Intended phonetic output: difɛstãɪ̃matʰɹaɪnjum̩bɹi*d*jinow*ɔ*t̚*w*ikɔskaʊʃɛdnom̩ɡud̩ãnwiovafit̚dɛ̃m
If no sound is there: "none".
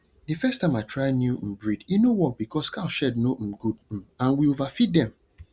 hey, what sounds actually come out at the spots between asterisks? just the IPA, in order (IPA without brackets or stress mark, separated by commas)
d, ɔ, b